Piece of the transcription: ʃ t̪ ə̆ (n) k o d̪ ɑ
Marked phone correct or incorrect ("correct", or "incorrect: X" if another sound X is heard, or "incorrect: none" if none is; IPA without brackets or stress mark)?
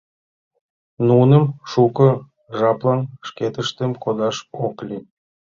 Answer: incorrect: m